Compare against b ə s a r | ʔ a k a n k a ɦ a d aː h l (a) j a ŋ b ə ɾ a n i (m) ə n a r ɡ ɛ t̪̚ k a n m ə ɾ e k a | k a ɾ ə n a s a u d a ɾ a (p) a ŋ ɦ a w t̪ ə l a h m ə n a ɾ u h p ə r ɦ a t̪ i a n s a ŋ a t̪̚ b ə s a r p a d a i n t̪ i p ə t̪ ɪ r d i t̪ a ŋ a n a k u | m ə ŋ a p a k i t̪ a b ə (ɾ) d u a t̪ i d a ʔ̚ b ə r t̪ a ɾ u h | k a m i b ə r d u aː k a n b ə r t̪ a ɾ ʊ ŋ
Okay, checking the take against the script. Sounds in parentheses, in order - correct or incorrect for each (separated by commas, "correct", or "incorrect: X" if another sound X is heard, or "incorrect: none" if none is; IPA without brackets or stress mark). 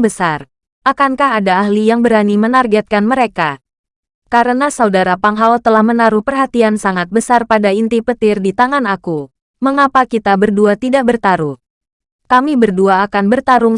incorrect: i, correct, correct, incorrect: r